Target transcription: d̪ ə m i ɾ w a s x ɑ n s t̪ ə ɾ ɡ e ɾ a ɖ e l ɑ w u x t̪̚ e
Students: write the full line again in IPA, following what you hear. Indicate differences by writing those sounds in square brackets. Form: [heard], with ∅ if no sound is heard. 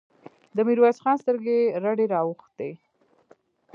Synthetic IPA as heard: d̪ ə m i ɾ w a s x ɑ n s t̪ ə ɾ ɡ e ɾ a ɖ e [ɾ] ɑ w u x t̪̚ e